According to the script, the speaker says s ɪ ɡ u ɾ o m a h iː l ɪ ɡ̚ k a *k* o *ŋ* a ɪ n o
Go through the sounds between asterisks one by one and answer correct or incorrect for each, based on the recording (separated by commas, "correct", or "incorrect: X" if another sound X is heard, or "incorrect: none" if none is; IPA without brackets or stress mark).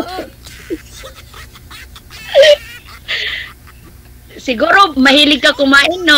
correct, incorrect: m